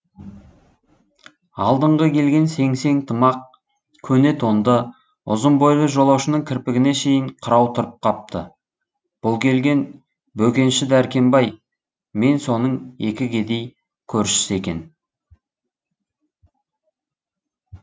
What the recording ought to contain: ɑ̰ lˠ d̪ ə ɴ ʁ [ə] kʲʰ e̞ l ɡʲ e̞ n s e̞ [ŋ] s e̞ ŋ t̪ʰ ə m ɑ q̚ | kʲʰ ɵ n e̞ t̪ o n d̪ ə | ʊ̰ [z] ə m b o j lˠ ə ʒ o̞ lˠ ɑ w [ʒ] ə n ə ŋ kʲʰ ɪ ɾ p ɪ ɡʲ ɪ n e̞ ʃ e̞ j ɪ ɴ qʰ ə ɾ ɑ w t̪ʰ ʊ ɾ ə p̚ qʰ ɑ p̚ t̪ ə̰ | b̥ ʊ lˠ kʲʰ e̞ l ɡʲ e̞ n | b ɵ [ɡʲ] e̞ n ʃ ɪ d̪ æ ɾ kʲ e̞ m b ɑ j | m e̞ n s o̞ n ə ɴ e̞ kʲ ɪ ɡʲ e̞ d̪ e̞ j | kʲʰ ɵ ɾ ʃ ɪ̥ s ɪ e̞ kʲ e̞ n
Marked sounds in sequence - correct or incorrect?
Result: correct, correct, correct, incorrect: ʃ, incorrect: kʲ

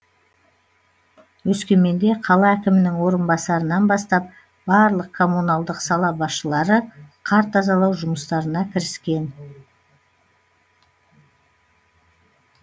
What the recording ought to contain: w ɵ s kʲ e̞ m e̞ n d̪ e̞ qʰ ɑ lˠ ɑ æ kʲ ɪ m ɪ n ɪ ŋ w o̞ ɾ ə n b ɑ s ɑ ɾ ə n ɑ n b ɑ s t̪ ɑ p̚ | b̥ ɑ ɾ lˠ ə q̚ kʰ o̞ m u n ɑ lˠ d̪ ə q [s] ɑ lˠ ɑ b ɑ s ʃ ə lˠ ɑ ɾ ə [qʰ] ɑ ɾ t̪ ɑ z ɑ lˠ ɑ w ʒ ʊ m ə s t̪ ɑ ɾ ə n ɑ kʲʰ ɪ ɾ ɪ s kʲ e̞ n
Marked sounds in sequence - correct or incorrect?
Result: correct, correct

